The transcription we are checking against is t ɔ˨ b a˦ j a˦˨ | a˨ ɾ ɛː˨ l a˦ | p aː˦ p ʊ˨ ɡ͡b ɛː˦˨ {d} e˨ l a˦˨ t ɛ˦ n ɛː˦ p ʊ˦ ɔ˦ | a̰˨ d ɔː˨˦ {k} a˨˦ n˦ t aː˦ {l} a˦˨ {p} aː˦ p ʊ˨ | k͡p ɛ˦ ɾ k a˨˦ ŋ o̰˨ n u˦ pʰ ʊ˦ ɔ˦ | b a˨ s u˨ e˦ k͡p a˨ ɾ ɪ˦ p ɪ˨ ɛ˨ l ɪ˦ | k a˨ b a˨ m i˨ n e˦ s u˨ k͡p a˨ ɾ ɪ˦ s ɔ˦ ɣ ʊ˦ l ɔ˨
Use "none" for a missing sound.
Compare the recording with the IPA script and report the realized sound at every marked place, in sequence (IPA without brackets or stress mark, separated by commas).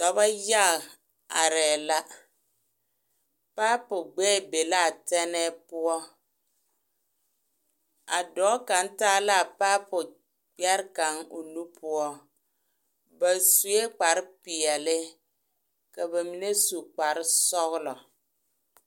b, k, l, p